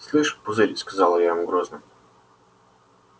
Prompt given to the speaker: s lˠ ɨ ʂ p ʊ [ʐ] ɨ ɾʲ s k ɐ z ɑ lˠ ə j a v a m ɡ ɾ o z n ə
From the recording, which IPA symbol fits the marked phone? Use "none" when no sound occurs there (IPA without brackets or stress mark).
z